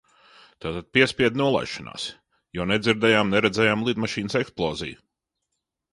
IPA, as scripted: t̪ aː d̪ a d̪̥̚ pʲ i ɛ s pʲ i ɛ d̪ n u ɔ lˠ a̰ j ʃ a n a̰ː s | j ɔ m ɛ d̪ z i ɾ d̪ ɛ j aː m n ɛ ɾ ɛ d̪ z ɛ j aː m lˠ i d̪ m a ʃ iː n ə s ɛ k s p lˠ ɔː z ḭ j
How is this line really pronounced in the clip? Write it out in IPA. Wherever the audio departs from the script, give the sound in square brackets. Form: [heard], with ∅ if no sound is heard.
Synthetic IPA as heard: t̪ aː [t̪] a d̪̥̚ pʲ i ɛ s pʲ i ɛ d̪ n u ɔ lˠ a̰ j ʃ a n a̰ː s | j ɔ [n] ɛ d̪ z i ɾ d̪ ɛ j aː m n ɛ ɾ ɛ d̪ z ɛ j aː m lˠ i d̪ m a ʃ iː n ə s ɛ k s p lˠ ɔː z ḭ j